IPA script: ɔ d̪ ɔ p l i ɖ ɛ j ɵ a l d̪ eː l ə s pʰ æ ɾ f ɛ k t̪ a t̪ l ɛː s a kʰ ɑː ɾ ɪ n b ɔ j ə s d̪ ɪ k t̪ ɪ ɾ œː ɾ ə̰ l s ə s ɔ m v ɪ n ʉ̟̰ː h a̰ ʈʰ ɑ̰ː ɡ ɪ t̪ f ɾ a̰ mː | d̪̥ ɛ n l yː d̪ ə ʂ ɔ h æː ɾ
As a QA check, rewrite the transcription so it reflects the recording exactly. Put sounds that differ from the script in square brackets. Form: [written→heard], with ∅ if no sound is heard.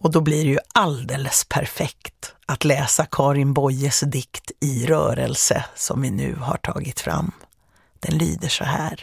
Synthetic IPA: ɔ d̪ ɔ [p→b] l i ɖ ɛ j ɵ a l d̪ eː l ə s pʰ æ ɾ f ɛ k t̪ a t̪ l ɛː s a kʰ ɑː ɾ ɪ n b ɔ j ə s d̪ ɪ k t̪ ɪ ɾ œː ɾ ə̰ l s ə s ɔ m v ɪ n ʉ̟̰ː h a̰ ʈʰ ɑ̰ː ɡ ɪ t̪ f ɾ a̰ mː | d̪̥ ɛ n l yː d̪ ə ʂ ɔ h æː ɾ